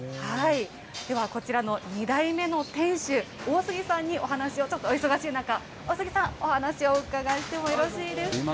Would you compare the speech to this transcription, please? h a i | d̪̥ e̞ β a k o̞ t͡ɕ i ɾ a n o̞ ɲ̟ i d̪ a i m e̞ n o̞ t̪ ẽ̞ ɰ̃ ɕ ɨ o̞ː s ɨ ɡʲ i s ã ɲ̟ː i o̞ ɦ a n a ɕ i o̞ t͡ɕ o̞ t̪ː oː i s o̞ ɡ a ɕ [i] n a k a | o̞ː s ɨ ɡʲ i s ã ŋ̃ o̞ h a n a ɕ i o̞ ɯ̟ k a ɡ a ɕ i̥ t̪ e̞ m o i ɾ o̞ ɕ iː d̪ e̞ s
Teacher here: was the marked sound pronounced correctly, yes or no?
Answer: no